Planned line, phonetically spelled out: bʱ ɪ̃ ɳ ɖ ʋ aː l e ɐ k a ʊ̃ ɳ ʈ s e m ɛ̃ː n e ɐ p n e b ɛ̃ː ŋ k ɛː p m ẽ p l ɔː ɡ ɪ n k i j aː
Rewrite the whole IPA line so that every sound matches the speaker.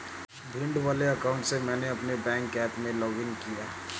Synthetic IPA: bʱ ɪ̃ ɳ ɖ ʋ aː l e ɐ k a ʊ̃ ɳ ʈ s e m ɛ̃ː n e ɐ p n e b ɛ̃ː ŋ k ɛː p m ẽ l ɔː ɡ ɪ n k i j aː